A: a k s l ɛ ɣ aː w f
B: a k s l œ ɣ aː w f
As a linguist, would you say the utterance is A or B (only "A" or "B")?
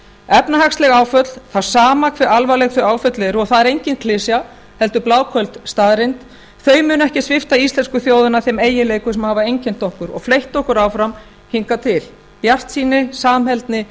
A